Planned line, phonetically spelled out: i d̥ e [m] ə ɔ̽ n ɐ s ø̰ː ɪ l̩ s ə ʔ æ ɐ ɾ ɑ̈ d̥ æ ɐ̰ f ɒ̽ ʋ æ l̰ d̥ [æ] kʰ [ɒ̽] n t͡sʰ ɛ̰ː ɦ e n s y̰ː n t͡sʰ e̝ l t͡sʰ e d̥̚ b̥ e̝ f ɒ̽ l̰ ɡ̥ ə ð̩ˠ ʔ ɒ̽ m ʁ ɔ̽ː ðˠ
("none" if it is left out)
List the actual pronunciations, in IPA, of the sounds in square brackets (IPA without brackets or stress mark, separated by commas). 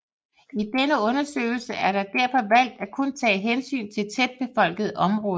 n, æ, ɔ̽